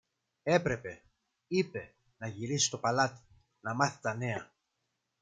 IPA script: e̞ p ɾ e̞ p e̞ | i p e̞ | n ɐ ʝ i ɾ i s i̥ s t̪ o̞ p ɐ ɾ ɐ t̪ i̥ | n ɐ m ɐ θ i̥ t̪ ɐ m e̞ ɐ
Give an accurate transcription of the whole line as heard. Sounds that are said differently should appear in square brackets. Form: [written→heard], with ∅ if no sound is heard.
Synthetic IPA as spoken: e̞ p ɾ e̞ p e̞ | i p e̞ | n ɐ ʝ i ɾ i s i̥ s t̪ o̞ p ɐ [ɾ→l] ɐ t̪ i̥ | n ɐ m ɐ θ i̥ t̪ ɐ [m→n] e̞ ɐ